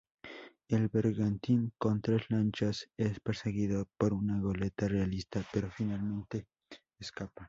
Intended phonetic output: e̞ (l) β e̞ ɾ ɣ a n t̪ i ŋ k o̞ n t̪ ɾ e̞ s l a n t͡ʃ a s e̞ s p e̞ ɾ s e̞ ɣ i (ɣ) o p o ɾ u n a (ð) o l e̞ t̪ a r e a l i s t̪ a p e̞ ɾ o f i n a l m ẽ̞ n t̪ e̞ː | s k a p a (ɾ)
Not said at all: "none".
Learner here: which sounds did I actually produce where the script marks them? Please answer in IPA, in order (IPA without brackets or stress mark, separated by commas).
l, ð, ɣ, none